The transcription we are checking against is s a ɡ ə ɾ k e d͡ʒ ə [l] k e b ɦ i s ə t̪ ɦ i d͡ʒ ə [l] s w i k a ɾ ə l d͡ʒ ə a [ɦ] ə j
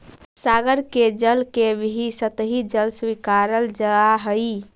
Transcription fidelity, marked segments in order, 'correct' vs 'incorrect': correct, correct, correct

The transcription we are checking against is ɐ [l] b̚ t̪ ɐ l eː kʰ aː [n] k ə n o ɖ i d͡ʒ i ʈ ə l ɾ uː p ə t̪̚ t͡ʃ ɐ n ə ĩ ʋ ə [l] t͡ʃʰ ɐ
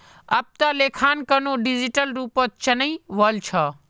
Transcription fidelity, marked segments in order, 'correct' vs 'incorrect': incorrect: none, correct, correct

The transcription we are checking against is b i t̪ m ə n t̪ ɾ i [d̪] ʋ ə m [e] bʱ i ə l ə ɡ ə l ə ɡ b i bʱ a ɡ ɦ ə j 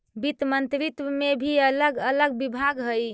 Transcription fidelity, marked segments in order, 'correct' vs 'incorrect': incorrect: t̪, correct

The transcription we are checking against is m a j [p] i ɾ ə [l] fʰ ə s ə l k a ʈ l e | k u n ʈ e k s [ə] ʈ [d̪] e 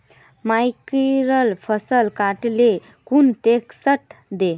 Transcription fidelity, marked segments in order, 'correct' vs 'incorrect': incorrect: k, correct, correct, correct

